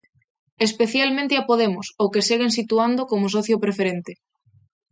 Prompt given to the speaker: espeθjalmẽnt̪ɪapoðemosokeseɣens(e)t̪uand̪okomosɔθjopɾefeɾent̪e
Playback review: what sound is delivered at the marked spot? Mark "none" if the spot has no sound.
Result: i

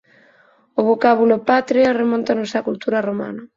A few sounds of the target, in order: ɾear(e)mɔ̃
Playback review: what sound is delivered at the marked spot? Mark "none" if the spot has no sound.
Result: e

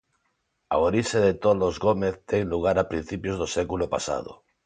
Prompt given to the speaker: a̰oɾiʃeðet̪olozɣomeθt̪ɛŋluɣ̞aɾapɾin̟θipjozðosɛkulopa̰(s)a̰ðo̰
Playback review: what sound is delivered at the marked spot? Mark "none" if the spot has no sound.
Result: s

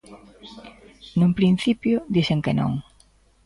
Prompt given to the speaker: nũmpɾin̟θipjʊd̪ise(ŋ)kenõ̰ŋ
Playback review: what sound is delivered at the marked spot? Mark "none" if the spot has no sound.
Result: ŋ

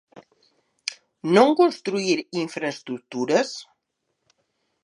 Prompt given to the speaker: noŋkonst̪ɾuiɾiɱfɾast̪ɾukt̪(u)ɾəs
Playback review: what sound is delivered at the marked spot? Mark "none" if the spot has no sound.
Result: u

